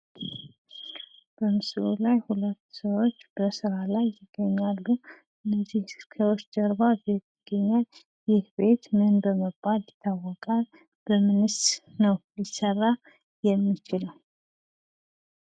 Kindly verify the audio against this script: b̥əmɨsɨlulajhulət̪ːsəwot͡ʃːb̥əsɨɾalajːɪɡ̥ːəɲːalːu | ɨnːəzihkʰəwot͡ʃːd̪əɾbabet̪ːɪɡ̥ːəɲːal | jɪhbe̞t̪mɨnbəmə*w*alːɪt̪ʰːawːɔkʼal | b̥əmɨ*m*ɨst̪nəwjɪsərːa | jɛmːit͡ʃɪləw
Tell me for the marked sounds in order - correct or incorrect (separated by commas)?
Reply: incorrect, incorrect